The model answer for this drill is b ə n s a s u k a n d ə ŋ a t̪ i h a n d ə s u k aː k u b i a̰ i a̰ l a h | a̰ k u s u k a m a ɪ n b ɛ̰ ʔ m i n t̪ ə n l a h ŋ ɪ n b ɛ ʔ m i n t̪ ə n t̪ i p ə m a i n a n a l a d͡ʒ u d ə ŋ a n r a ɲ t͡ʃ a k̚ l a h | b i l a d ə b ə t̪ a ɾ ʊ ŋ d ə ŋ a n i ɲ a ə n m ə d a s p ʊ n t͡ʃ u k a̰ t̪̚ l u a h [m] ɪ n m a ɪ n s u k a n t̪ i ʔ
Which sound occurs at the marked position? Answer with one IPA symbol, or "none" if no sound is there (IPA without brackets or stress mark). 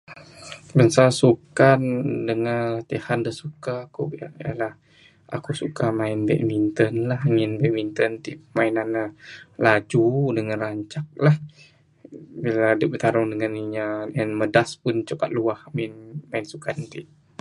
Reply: m